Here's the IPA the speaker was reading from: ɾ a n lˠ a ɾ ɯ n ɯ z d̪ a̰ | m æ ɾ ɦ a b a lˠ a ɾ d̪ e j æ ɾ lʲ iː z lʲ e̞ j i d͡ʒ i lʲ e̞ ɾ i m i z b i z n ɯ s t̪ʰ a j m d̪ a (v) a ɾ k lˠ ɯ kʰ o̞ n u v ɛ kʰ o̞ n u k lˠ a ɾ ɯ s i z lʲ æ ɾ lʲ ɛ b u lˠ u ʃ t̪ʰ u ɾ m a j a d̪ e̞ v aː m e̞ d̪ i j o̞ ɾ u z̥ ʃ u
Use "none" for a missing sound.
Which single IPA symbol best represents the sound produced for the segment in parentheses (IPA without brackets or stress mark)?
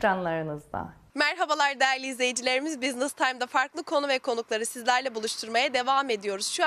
f